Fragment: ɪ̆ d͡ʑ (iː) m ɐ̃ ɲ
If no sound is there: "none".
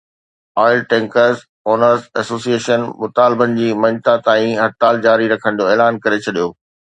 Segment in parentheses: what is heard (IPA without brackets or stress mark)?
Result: iː